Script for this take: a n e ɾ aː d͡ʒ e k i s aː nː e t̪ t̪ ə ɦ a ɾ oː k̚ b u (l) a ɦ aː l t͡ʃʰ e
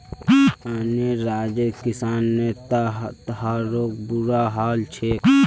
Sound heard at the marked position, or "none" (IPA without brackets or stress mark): ɾ